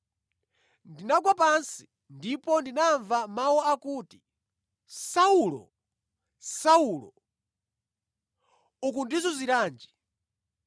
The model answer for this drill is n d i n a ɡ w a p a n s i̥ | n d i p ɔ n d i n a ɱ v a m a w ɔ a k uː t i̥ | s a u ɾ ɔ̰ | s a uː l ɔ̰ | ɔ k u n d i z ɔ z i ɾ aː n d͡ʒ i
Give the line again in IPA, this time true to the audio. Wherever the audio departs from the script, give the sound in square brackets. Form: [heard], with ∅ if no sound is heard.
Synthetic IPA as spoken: n d i n a ɡ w a p a n s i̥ | n d i p ɔ n d i n a ɱ v a m a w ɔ a k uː t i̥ | s a u [l] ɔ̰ | s a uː l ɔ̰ | [u] k u n d i z ɔ z i ɾ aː n d͡ʒ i

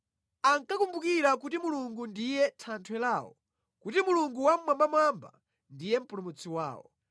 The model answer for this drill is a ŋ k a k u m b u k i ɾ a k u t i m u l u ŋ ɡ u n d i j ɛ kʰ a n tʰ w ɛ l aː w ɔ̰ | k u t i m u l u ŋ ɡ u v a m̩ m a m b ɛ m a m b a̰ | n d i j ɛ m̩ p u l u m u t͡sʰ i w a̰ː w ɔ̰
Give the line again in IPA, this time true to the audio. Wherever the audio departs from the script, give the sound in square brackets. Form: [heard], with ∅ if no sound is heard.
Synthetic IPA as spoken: a ŋ k a k u m b u k i ɾ a k u t i m u l u ŋ ɡ u n d i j ɛ [tʰ] a n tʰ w ɛ l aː w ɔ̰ | k u t i m u l u ŋ ɡ u [w] a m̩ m a m b [a] m a m b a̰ | n d i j ɛ m̩ p u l u m u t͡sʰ i w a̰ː w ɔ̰

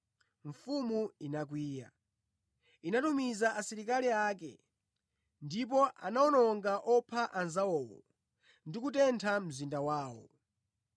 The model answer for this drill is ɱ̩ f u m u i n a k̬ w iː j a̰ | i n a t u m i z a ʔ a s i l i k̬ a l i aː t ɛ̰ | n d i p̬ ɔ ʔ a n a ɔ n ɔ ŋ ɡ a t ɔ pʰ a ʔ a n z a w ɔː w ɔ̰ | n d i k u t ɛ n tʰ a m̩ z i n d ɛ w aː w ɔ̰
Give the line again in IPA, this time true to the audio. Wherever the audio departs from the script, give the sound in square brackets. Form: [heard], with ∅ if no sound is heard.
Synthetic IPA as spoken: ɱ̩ f u m u i n a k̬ w iː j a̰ | i n a t u m i z a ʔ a s i [ɾ] i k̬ a l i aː [k] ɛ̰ | n d i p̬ ɔ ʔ a n a ɔ n ɔ ŋ ɡ a [ʔ] ɔ pʰ a ʔ a n z a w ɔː w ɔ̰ | n d i k u t ɛ n tʰ a m̩ z i n d [a] w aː w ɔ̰

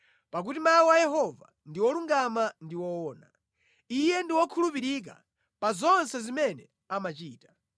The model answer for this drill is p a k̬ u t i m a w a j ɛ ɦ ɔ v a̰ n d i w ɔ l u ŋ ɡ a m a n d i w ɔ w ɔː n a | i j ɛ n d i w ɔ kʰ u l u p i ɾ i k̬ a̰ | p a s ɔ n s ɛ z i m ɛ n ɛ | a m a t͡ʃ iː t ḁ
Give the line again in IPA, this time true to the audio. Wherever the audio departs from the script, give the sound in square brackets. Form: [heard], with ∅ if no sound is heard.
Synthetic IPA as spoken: p a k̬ u t i m a w a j ɛ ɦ ɔ v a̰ n d i w ɔ l u ŋ ɡ a m a n d i w ɔ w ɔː n a | i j ɛ n d i w ɔ kʰ u l u p i ɾ i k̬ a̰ | p a [z] ɔ n s ɛ z i m ɛ n ɛ | a m a t͡ʃ iː t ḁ

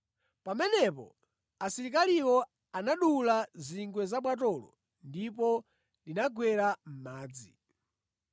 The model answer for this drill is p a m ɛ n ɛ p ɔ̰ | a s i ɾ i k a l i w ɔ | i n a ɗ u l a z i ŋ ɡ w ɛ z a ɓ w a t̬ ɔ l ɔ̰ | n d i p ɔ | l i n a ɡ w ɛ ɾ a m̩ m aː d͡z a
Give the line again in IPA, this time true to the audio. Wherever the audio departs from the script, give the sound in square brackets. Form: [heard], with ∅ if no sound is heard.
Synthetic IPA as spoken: p a m ɛ n ɛ p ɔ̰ | a s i ɾ i k a l i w ɔ | [a] n a ɗ u l a z i ŋ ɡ w ɛ z a ɓ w a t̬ ɔ l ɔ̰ | n d i p ɔ | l i n a ɡ w ɛ ɾ a m̩ m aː d͡z [i]

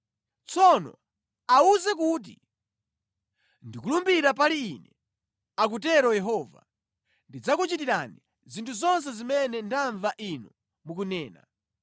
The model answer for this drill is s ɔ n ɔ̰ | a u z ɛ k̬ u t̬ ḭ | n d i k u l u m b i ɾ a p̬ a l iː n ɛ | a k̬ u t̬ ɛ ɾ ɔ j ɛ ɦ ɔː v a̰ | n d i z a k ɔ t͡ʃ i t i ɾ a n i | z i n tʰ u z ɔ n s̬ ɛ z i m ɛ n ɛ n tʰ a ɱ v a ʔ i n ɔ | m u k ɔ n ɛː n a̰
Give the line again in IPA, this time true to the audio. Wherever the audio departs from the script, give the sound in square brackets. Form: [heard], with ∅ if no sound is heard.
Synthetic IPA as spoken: [t͡s] ɔ n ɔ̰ | a u z ɛ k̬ u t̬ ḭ | n d i k u l u m b i ɾ a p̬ a l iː n ɛ | a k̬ u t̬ ɛ ɾ ɔ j ɛ ɦ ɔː v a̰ | n d i [d͡z] a k [u] t͡ʃ i t i ɾ a n i | z i n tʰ u z ɔ n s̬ ɛ z i m ɛ n ɛ n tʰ a ɱ v a ʔ i n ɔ | m u k [u] n ɛː n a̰

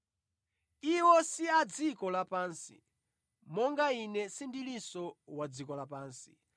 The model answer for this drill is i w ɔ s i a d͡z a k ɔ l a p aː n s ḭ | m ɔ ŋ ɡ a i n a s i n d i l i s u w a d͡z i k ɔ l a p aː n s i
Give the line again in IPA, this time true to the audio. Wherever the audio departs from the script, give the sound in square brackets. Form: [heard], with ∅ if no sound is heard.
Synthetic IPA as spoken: i w ɔ s i a d͡z [i] k ɔ l a p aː n s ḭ | m ɔ ŋ ɡ a i n [ɛ] s i n d i l i s [ɔ] w a d͡z i k ɔ l a p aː n s i

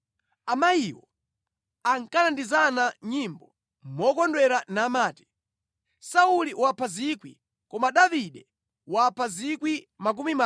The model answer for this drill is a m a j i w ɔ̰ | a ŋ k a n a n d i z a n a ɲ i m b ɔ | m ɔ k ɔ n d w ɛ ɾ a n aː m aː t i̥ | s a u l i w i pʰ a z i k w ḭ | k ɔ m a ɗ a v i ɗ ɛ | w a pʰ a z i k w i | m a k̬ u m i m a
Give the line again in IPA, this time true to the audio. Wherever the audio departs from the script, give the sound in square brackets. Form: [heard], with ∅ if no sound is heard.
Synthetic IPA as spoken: a m a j i w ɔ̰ | a ŋ k a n a n d i z a n a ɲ i m b ɔ | m ɔ k ɔ n d w ɛ ɾ a n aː m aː t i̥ | s a u l i w [a] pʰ a z i k w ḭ | k ɔ m a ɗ a v i ɗ ɛ | w a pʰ a z i k w i | m a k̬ u m i m a

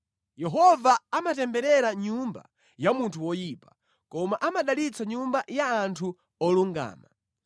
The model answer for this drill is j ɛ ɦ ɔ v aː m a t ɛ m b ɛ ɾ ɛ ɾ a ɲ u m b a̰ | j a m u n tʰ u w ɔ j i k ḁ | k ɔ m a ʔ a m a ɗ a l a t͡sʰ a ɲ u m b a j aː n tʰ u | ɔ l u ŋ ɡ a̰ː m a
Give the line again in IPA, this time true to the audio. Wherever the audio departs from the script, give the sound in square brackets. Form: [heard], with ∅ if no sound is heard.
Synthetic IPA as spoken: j ɛ ɦ ɔ v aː m a t ɛ m b ɛ ɾ ɛ ɾ a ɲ u m b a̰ | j a m u n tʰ u w ɔ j i [p] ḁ | k ɔ m a ʔ a m a ɗ a l [i] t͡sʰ a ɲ u m b a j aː n tʰ u | ɔ l u ŋ ɡ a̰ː m a

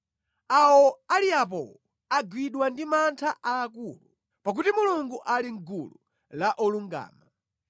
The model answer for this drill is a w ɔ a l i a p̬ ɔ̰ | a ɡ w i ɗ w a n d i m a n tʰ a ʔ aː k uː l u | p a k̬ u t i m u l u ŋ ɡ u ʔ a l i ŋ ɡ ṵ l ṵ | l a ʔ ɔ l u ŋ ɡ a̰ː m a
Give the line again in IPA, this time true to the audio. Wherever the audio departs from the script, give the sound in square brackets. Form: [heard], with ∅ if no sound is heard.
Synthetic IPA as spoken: a w ɔ a l i a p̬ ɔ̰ | a ɡ w i ɗ w a n d i m a n tʰ a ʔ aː k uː l u | p a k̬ u t i m u l u ŋ ɡ u ʔ a l i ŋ ɡ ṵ l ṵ | l a ʔ ɔ l u ŋ ɡ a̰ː m a

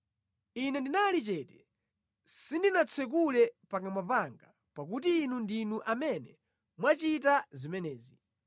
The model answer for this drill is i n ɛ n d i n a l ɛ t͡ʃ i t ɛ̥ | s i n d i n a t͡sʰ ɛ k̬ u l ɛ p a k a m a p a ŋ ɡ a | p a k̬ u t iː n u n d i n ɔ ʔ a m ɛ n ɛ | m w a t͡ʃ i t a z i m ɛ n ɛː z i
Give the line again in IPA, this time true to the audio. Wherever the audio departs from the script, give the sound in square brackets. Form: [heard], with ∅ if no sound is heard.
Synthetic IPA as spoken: i n ɛ n d i n a l [i] t͡ʃ [ɛ] t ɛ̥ | s i n d i n a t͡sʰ ɛ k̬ u l ɛ p a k a m a p a ŋ ɡ a | p a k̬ u t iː n u n d i n [u] ʔ a m ɛ n ɛ | m w a t͡ʃ i t a z i m ɛ n ɛː z i

